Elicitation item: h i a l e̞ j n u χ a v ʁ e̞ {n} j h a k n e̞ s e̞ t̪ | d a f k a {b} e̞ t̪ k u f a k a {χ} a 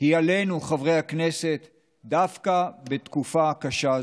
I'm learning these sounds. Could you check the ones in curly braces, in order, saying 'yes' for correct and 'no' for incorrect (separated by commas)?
no, yes, no